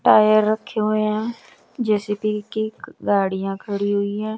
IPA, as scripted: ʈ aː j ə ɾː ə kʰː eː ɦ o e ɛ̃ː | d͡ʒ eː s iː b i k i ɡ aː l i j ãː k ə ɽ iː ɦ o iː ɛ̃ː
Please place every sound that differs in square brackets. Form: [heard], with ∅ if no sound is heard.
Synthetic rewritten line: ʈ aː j ə ɾː ə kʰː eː ɦ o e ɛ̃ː | d͡ʒ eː s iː [p] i k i ɡ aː [ɽ] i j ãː [kʰ] ə ɽ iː ɦ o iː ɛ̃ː